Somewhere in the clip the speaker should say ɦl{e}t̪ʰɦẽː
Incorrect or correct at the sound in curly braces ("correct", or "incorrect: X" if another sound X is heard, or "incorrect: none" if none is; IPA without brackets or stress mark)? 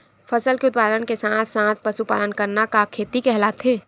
incorrect: a